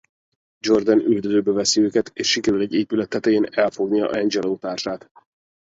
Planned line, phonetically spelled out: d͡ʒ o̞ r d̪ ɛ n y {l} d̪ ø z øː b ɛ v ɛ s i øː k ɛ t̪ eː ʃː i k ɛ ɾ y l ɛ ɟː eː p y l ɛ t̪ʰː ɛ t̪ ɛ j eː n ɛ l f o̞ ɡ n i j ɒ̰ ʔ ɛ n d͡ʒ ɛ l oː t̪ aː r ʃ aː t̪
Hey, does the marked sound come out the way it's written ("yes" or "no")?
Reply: yes